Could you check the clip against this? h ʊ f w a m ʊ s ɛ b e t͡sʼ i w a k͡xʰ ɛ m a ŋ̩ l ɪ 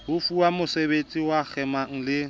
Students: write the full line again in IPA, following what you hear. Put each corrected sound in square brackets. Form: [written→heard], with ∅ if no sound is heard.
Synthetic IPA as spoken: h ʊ f [w→u] a m ʊ s [ɛ→e] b e t͡sʼ i w a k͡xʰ ɛ m a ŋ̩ l ɪ